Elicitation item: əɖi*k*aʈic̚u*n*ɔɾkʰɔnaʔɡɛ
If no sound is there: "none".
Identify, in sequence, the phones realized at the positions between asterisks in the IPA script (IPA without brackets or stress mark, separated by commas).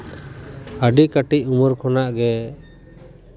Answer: k, m